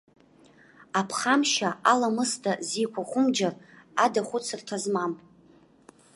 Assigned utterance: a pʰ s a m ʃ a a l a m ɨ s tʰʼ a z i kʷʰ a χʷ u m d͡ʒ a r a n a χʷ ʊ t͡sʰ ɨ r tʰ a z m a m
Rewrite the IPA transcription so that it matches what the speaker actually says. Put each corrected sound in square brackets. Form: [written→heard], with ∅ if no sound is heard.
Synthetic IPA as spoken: a pʰ [s→χ] a m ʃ a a l a m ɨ s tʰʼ a z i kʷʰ a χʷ [u→ʊ] m d͡ʒ a r a [n→d] a χʷ ʊ t͡sʰ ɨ r tʰ a z m a m

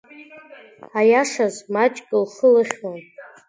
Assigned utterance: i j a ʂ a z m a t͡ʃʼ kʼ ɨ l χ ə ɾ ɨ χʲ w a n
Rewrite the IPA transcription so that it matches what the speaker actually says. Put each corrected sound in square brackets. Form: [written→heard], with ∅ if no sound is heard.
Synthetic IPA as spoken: [i→a] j a ʂ a z m a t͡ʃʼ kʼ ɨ l χ ə [ɾ→l] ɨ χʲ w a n

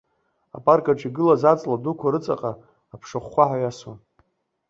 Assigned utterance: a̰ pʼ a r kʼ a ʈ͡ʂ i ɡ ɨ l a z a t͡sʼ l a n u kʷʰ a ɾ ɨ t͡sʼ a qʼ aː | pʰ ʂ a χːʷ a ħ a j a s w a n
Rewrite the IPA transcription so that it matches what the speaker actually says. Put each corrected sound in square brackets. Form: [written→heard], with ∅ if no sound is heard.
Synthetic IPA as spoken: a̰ pʼ a r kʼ a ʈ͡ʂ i ɡ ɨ l a z a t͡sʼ l a [n→d] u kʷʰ a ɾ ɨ t͡sʼ a qʼ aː | pʰ ʂ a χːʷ a ħ a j a s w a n

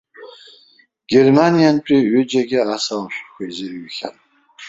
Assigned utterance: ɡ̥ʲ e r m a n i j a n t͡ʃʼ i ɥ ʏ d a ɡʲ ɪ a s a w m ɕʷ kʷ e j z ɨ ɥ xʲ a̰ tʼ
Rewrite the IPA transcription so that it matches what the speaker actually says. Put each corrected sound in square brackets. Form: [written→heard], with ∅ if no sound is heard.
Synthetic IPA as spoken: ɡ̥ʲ e r m a n i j a n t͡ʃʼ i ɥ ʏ [d→d͡ʒ] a ɡʲ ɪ a s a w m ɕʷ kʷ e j z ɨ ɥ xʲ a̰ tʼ

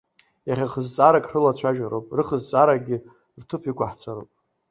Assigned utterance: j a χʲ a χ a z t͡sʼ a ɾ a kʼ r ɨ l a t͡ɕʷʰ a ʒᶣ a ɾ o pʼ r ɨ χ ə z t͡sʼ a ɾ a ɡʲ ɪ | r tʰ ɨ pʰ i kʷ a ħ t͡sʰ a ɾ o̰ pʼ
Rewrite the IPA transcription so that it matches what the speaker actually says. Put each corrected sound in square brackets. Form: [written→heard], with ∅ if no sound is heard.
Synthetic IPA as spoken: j a χʲ a χ [a→ə] z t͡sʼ a ɾ a kʼ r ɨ l a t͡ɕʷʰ a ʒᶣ a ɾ o pʼ r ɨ χ ə z t͡sʼ a ɾ a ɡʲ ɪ | r tʰ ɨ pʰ i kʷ a ħ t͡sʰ a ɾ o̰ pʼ

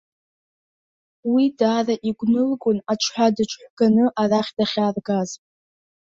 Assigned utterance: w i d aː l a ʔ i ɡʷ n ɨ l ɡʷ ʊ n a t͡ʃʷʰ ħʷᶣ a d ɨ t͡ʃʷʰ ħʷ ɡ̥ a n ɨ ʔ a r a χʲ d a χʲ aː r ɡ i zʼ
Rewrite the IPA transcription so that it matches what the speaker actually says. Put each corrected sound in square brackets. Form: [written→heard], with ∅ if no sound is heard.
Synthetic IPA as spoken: w i d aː [l→r] a ʔ i ɡʷ n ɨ l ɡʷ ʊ n a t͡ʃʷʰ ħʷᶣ a d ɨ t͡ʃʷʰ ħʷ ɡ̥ a n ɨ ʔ a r a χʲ d a χʲ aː r ɡ [i→a] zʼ

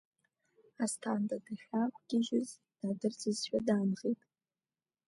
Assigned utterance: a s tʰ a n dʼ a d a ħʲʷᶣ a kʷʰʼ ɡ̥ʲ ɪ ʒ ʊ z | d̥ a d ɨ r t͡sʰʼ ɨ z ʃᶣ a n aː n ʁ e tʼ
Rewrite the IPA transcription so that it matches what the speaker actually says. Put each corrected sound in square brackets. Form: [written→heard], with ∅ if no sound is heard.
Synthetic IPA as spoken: a s tʰ a n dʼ a d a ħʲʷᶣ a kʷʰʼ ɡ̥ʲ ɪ ʒ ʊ z | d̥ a d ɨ r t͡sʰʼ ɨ z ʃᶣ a [n→d] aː n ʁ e tʼ

